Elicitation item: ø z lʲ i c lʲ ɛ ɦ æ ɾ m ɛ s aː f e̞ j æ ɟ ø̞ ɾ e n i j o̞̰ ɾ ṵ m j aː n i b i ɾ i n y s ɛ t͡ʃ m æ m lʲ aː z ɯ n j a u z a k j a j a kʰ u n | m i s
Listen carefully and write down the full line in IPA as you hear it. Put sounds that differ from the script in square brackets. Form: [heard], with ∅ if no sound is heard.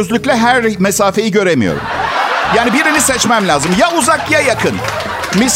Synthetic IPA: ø z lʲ [y] c lʲ ɛ ɦ æ ɾ m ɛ s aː f e̞ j [i] ɟ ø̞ ɾ e [m] i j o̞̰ ɾ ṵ m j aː n i b i ɾ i n [i] s ɛ t͡ʃ m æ m lʲ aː z ɯ [m] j a u z a k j a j a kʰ [ɯ] n | m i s